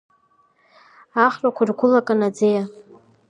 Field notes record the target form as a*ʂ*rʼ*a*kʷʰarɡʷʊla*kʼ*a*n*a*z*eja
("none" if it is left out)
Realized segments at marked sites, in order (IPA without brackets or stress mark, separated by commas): χ, a, kʼ, n, d͡z